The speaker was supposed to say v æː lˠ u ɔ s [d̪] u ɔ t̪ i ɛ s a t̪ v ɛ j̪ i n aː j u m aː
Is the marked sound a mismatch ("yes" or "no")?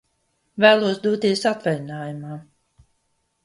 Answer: no